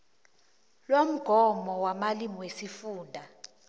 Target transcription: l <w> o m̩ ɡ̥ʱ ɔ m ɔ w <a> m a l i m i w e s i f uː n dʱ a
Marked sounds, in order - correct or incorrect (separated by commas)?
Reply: correct, correct